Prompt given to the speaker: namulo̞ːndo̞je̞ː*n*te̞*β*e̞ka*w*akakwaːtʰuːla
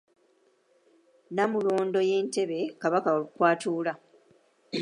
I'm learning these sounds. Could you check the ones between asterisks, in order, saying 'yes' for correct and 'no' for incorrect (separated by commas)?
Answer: yes, yes, no